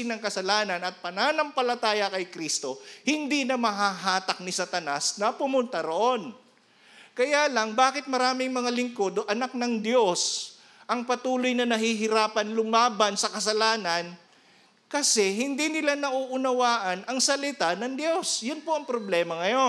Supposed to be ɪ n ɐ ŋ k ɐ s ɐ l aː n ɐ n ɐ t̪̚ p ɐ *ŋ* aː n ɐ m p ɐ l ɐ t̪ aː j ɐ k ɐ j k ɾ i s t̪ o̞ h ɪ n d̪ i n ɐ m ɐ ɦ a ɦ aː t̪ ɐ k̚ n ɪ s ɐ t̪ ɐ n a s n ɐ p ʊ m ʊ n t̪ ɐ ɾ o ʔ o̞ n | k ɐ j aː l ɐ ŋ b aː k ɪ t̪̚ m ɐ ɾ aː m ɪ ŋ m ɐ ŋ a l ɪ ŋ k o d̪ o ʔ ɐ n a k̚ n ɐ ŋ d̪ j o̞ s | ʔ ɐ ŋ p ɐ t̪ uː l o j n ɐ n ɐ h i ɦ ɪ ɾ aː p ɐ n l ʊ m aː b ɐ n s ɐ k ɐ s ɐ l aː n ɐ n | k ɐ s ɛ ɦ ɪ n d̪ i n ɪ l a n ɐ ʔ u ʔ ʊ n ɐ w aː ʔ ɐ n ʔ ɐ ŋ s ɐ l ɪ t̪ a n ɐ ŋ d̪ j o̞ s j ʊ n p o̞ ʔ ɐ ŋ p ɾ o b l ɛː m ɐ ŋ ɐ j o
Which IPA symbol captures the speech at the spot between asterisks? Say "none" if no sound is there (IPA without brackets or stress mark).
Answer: n